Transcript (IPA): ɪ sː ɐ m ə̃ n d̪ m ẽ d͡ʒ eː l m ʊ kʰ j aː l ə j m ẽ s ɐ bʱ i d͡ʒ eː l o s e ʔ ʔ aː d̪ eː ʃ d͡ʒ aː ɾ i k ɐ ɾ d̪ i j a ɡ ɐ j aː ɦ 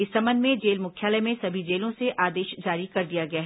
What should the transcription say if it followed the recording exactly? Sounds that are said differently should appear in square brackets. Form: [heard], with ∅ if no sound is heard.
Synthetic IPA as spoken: ɪ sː ɐ m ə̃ n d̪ m ẽ d͡ʒ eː l m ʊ kʰ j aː l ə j m ẽ s ɐ bʱ i d͡ʒ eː l [õ] s e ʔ ʔ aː d̪ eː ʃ d͡ʒ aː ɾ i k ɐ ɾ d̪ i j a ɡ ɐ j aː ɦ